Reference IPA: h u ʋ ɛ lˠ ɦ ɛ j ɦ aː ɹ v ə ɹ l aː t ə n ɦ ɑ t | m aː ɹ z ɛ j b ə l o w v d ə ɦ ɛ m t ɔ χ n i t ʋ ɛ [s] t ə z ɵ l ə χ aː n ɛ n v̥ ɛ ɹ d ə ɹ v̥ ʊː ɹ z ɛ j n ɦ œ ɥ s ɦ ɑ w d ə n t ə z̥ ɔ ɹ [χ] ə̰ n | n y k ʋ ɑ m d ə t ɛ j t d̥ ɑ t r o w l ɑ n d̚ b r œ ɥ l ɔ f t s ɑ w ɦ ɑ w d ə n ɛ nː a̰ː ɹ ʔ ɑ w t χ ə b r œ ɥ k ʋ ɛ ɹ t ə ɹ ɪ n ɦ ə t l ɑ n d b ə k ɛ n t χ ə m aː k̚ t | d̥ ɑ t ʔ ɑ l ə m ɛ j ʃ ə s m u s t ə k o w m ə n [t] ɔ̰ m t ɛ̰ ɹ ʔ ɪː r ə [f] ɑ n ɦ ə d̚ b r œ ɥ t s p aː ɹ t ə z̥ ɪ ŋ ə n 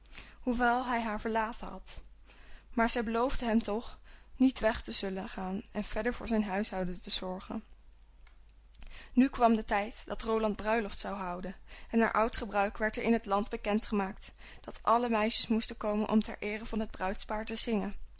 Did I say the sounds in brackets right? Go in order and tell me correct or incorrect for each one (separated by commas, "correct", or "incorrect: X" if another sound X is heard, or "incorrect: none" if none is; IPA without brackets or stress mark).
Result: incorrect: χ, correct, incorrect: ʔ, incorrect: v